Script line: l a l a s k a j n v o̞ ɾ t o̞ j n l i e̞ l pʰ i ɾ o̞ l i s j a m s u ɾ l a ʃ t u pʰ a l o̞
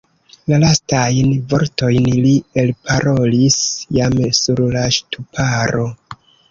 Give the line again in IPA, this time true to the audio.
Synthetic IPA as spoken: l a l a s t a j n v o̞ ɾ t o̞ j n l i e̞ l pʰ a ɾ o̞ l i s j a m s u ɾ l a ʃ t u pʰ a ɾ o̞